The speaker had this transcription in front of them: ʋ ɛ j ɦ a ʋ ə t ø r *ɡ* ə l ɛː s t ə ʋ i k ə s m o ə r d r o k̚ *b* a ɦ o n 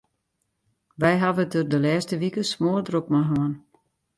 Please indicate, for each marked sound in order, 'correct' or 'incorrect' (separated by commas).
incorrect, incorrect